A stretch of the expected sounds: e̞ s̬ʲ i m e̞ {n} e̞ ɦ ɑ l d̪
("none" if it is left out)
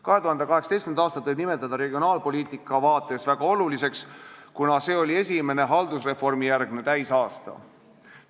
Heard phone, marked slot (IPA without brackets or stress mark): n